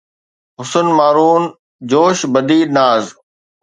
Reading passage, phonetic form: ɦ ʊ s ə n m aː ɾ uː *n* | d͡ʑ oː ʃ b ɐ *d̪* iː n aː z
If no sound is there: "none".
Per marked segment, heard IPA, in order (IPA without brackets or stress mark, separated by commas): n, d̪